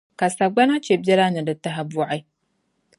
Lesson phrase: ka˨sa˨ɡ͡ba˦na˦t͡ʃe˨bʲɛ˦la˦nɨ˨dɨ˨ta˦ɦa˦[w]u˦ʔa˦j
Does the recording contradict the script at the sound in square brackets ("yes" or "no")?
yes